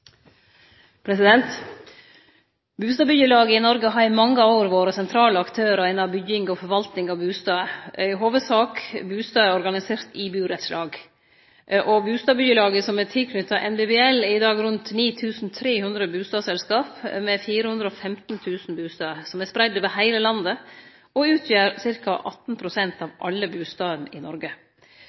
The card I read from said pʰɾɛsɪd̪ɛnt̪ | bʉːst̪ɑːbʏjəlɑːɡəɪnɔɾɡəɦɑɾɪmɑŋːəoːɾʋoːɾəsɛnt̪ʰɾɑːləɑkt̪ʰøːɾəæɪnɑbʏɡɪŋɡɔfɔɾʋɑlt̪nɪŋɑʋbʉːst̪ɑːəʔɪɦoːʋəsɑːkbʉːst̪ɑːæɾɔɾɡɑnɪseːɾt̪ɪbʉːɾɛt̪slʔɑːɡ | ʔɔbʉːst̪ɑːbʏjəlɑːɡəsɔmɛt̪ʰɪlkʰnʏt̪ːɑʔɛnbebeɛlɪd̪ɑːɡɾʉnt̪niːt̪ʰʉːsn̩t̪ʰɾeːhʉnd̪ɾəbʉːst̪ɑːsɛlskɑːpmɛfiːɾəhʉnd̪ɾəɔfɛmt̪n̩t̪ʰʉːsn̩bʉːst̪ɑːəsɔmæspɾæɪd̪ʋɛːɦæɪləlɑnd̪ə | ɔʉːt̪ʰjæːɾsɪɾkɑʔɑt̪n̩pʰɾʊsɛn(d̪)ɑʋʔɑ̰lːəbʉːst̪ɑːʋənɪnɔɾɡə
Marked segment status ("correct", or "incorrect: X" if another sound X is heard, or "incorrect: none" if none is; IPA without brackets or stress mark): incorrect: t̪